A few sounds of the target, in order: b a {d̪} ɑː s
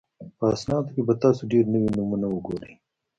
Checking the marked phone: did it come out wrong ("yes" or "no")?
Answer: yes